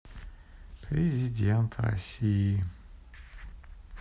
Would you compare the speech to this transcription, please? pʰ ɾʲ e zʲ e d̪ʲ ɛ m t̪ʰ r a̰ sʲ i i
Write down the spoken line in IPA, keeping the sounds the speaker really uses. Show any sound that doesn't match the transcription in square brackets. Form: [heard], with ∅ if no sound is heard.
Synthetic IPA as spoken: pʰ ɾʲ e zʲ [i] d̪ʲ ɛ [n] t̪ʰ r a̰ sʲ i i